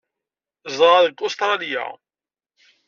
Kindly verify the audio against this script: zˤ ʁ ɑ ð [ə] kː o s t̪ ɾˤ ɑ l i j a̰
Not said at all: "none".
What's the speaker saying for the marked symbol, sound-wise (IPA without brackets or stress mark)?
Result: ə